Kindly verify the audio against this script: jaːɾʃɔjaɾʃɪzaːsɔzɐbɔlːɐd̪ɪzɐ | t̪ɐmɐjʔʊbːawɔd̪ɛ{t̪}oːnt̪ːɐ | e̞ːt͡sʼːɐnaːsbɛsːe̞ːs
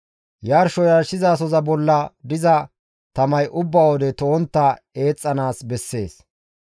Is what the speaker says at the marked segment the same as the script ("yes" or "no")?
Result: yes